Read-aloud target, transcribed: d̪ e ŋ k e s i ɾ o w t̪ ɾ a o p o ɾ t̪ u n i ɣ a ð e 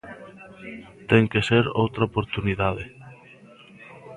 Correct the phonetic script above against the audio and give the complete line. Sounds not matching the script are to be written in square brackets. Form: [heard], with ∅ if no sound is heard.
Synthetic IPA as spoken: [t̪] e ŋ k e s [e] ɾ o w t̪ ɾ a o p o ɾ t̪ u n i [ð] a ð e